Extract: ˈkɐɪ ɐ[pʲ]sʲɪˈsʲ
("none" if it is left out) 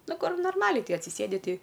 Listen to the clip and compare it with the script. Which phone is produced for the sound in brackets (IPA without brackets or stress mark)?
tʲ